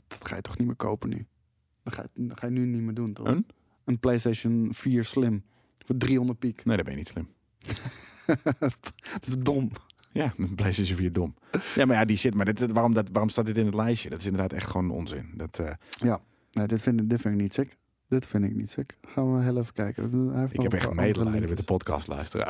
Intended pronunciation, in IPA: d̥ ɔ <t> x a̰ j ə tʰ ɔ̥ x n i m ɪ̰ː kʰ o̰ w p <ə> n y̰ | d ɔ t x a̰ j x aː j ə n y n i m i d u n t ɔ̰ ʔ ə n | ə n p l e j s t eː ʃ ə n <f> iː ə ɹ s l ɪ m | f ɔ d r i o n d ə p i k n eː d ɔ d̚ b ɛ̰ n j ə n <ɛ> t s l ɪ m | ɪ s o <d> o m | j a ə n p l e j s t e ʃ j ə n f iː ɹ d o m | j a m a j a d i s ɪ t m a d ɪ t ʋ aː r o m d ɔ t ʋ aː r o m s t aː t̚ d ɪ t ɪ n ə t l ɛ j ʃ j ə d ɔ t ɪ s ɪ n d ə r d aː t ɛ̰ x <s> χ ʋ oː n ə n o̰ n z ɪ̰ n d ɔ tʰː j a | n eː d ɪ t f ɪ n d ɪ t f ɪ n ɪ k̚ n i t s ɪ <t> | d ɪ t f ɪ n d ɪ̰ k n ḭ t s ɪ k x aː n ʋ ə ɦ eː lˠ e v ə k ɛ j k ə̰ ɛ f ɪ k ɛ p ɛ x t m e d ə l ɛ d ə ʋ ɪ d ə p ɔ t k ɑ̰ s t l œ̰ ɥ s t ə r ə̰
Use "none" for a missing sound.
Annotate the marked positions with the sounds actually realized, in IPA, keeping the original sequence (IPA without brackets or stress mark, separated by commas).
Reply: t, ə, f, i, d, t, k